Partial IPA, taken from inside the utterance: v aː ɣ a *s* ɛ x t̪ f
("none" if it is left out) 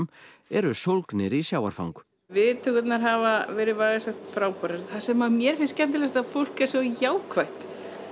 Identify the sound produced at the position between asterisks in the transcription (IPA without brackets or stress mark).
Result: s